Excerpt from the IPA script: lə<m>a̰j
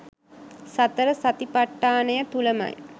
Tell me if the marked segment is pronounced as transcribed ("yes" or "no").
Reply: yes